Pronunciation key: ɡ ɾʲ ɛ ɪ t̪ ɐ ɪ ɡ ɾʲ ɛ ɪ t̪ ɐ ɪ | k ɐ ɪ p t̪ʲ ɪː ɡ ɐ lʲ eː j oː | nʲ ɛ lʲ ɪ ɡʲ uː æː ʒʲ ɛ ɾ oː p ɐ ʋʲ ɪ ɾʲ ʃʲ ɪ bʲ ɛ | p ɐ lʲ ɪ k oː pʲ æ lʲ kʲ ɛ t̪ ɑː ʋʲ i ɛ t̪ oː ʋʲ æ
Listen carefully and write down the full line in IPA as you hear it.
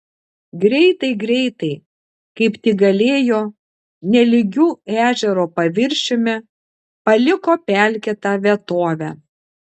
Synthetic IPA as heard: ɡ ɾʲ ɛ ɪ t̪ ɐ ɪ ɡ ɾʲ ɛ ɪ t̪ ɐ ɪ | k ɐ ɪ p t̪ʲ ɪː ɡ ɐ lʲ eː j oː | nʲ ɛ lʲ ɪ ɡʲ uː æː ʒʲ ɛ ɾ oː p ɐ ʋʲ ɪ ɾʲ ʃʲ ɪ mʲ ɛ | p ɐ lʲ ɪ k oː pʲ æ lʲ kʲ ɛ t̪ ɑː ʋʲ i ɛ t̪ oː ʋʲ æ

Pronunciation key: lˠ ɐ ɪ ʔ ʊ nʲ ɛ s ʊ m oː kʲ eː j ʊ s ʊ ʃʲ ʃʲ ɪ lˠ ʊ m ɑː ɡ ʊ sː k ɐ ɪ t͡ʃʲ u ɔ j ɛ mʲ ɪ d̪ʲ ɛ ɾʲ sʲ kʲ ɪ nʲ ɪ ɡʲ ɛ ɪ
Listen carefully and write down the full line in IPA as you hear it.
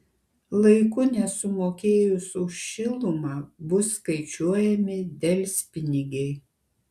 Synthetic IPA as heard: lˠ ɐ ɪ k ʊ nʲ ɛ s ʊ m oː kʲ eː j ʊ s ʊ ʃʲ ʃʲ ɪ lˠ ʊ m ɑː b ʊ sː k ɐ ɪ t͡ʃʲ u ɔ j ɛ mʲ ɪ d̪ʲ ɛ lʲ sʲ pʲ ɪ nʲ ɪ ɡʲ ɛ ɪ

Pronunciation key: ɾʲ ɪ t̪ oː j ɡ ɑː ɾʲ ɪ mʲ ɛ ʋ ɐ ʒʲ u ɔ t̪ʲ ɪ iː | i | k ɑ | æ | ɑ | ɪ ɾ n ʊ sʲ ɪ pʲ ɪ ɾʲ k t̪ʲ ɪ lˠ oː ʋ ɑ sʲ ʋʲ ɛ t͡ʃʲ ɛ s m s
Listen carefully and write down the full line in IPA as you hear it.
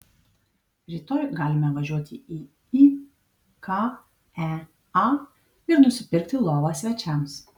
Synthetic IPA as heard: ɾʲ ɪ t̪ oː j ɡ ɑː lʲ ɪ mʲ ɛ ʋ ɐ ʒʲ u ɔ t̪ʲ ɪ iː | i | k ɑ | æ | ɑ | ɪ ɾ n ʊ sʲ ɪ pʲ ɪ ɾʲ k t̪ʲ ɪ lˠ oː ʋ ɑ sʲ ʋʲ ɛ t͡ʃʲ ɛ m s

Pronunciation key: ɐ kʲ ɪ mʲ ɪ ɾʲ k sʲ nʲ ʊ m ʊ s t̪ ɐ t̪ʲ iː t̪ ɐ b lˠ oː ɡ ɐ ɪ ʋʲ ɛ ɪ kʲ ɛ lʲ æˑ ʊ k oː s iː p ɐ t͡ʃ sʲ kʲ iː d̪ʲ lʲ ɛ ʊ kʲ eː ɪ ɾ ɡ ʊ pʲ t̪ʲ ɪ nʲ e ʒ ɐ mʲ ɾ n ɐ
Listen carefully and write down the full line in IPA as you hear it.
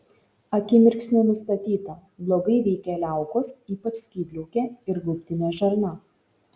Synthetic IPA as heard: ɐ kʲ ɪ mʲ ɪ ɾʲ k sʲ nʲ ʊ n ʊ s t̪ ɐ t̪ʲ iː t̪ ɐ b lˠ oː ɡ ɐ ɪ ʋʲ ɛ ɪ kʲ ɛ lʲ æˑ ʊ k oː s iː p ɐ t͡ʃ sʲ kʲ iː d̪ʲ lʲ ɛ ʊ kʲ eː ɪ ɾ ɡ ʊ pʲ t̪ʲ ɪ nʲ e ʒ ɐ ɾ n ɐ

